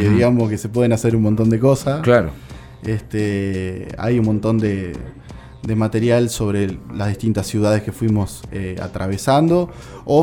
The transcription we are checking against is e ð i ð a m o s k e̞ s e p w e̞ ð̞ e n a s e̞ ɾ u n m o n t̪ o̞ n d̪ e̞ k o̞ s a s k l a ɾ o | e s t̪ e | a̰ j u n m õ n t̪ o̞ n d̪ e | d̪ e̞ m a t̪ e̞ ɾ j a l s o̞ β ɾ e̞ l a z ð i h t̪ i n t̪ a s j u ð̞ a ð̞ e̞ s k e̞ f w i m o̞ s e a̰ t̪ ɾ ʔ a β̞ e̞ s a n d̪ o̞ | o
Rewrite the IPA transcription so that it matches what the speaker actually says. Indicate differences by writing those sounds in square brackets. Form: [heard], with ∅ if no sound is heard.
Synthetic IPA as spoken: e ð i [ɣ] a m o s k e̞ s e p w e̞ ð̞ e n a s e̞ ɾ u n m o n t̪ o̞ n d̪ e̞ k o̞ s a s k l a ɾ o | e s t̪ e | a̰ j u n m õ n t̪ o̞ n d̪ e | d̪ e̞ m a t̪ e̞ ɾ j a l s o̞ β ɾ e̞ l a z ð i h t̪ i n t̪ a s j u ð̞ a ð̞ e̞ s k e̞ f w i m o̞ s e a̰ t̪ ɾ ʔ a β̞ e̞ s a n d̪ o̞ | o